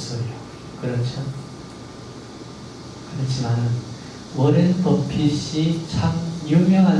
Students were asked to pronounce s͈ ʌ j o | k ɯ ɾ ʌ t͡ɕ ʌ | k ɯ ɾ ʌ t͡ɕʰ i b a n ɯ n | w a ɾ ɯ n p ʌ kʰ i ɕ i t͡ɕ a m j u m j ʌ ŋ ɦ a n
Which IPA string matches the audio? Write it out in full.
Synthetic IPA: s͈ ʌ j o | k ɯ ɾ ʌ t͡ɕʰ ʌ | k ɯ ɾ ʌ t͡ɕʰ i m a n ɯ n | w ʌ ɾ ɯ n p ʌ pʰ i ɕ i t͡ɕʰ a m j u m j ʌ ŋ ɦ a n